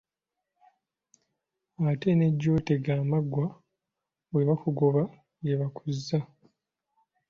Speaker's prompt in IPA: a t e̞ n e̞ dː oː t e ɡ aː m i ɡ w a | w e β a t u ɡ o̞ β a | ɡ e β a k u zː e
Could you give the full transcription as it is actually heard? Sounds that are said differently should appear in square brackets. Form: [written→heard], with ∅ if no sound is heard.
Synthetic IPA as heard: a t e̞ n e̞ [dː→ɟː] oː t e ɡ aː m [i→a] ɡ w a | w e β a [t→k] u ɡ o̞ β a | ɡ e β a k u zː [e→a]